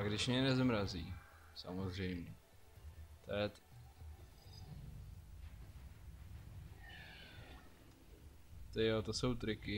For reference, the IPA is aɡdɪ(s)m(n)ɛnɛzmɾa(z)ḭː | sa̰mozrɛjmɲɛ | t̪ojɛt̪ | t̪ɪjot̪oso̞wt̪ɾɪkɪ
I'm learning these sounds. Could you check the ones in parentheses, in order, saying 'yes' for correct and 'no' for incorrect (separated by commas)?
no, no, yes